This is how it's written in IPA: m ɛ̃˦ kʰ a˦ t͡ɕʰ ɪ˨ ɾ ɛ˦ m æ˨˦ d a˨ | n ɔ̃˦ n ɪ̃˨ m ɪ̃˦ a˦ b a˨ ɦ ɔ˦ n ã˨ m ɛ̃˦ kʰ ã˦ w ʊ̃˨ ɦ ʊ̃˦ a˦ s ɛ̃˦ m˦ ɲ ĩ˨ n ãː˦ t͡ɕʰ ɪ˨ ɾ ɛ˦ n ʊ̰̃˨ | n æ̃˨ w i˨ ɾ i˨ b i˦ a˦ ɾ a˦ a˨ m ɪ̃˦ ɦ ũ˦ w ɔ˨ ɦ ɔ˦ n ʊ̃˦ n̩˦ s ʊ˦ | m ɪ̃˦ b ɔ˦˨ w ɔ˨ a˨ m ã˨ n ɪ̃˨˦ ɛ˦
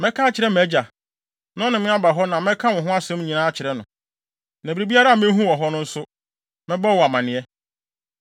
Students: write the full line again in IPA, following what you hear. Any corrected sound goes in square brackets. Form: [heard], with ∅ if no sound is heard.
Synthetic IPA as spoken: m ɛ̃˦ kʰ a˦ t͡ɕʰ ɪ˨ ɾ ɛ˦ m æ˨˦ [d͡ʑ] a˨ | n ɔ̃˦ n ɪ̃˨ m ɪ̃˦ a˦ b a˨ ɦ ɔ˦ n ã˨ m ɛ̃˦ kʰ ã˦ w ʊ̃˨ ɦ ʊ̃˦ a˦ s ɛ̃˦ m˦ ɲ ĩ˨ n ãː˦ t͡ɕʰ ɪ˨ ɾ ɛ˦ n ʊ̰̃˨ | n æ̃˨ [b] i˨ ɾ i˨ b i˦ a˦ ɾ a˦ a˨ m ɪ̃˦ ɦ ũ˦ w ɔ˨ ɦ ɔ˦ n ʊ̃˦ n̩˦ s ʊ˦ | m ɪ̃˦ b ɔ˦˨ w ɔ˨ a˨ m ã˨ n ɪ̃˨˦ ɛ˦